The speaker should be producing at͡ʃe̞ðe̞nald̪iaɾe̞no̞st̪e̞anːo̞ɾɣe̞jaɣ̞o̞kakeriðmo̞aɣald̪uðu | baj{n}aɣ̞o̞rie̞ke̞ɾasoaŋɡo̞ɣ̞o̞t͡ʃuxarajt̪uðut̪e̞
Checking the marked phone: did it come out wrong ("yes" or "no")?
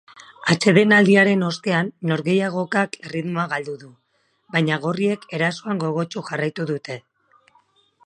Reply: yes